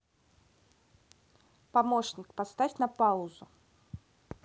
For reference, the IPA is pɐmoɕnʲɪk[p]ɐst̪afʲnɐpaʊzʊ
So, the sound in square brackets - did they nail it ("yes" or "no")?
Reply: yes